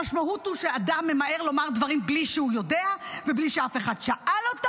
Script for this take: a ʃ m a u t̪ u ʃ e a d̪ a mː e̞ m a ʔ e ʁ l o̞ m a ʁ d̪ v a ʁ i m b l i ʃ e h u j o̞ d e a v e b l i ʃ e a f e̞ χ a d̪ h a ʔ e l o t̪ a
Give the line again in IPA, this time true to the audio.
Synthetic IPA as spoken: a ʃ m a u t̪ u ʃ e a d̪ a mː e̞ m a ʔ e ʁ l o̞ m a ʁ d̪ v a ʁ i m b l i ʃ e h u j o̞ d e a v e b l i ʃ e a f e̞ χ a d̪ ʃ a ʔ a l o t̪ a